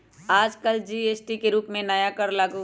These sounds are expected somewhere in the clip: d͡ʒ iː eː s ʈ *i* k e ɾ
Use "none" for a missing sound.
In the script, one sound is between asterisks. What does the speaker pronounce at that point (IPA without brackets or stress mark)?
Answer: i